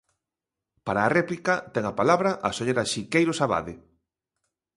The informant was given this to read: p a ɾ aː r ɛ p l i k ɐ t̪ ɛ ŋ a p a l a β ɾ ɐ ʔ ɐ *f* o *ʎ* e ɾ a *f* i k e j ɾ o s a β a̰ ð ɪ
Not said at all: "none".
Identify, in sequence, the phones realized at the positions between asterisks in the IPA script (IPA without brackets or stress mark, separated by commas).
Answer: s, ʎ, ʃ